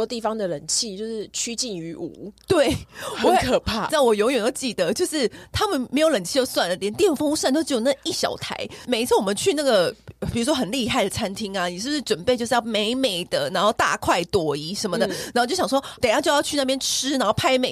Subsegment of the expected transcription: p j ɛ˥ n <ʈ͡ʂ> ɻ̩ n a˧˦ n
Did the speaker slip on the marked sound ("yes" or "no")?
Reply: yes